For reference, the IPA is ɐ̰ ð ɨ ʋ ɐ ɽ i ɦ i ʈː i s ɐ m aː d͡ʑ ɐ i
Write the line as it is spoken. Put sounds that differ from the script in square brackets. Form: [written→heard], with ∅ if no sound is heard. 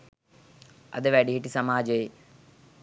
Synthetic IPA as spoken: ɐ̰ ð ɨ ʋ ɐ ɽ i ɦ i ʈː i s ɐ m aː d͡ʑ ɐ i